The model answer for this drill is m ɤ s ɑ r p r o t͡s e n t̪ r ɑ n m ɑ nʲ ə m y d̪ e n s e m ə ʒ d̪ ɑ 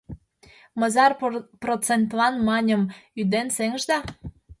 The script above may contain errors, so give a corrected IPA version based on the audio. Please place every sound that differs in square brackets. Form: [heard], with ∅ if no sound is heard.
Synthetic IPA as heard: m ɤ [z] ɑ r p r o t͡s e n t̪ [l] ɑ n m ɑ nʲ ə m y d̪ e n s e [ŋ] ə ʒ d̪ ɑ